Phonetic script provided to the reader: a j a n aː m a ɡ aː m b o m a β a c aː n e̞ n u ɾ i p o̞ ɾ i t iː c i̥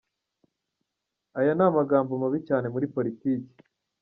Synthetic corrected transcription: a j a n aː m a ɡ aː m b o m a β i c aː n e̞ m u ɾ i p o̞ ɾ i t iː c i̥